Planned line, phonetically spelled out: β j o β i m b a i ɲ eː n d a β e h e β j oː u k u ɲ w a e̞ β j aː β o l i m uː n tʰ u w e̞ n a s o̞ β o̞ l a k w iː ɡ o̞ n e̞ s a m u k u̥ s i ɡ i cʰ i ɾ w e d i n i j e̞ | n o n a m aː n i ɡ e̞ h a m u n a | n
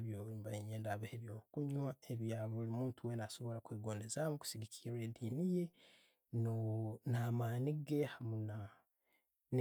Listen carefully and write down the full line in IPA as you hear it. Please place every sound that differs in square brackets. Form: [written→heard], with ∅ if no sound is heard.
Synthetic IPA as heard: β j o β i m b a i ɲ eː n d a β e h e β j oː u k u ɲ w a e̞ β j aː β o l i m uː n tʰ u w e̞ n a s o̞ β o̞ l a k w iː ɡ o̞ n e̞ [s→z] a m u k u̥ s i ɡ i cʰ i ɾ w e d i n i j e̞ | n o n a m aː n i ɡ e̞ h a m u n a | n